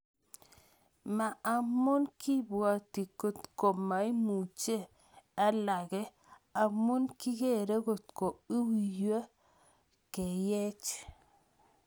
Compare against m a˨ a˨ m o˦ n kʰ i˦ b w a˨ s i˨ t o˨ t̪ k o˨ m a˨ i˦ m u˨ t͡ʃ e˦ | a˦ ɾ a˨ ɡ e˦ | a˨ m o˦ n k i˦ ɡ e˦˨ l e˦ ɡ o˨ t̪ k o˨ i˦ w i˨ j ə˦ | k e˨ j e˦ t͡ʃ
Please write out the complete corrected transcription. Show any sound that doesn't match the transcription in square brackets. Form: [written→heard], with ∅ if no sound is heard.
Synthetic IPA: m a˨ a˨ m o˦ n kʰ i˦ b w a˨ [s→t] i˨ [t→k] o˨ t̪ k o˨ m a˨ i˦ m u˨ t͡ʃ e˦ | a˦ [ɾ→l] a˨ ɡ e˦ | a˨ m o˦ n k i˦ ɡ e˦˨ [l→ɾ] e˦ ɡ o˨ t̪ k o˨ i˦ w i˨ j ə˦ | k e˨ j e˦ t͡ʃ